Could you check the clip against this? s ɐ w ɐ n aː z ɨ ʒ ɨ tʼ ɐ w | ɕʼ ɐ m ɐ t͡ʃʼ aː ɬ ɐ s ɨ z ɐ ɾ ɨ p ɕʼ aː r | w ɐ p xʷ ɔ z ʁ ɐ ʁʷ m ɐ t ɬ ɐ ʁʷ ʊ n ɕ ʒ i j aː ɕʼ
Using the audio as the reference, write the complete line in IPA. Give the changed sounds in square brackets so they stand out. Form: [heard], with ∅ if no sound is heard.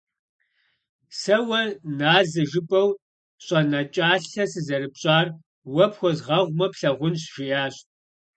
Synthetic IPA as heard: s ɐ w ɐ n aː z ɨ ʒ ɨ [pʼ] ɐ w | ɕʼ ɐ [n] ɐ t͡ʃʼ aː ɬ ɐ s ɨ z ɐ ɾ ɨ p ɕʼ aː r | w ɐ p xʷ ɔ z ʁ ɐ ʁʷ m ɐ [p] ɬ ɐ ʁʷ ʊ n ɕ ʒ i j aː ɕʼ